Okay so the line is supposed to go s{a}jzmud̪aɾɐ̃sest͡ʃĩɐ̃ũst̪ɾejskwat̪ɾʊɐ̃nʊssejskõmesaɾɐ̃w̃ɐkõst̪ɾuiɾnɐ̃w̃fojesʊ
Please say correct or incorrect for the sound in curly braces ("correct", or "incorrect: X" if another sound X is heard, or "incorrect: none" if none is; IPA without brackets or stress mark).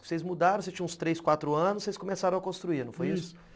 incorrect: e